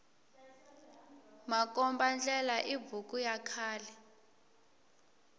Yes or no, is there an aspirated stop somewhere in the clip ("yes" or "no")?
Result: yes